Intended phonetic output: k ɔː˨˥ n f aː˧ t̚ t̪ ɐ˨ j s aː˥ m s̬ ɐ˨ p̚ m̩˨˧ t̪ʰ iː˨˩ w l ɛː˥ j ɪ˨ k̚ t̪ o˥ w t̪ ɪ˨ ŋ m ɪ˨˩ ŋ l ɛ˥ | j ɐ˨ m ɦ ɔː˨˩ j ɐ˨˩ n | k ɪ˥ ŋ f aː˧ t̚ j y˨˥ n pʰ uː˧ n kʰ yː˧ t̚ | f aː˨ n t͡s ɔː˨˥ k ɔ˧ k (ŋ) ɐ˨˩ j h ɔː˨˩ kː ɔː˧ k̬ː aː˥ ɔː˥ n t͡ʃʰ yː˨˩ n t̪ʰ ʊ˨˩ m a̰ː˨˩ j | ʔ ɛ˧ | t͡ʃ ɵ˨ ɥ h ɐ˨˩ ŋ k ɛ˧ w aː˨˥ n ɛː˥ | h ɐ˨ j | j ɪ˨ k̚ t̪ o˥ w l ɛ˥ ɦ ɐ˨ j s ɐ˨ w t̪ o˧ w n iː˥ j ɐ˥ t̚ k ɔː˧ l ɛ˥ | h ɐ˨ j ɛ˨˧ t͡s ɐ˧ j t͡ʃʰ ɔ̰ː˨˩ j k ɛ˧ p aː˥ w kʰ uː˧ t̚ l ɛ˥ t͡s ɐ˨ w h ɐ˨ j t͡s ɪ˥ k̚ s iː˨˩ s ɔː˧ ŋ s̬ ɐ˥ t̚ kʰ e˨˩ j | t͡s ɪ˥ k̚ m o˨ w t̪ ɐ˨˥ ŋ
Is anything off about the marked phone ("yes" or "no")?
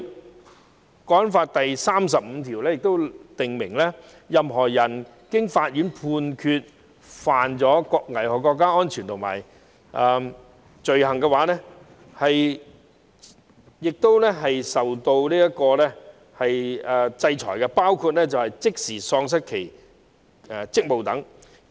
no